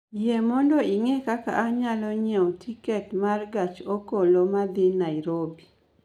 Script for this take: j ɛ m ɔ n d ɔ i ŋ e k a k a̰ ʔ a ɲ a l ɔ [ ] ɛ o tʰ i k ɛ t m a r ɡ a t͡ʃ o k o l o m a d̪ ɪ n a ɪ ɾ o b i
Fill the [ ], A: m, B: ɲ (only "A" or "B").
B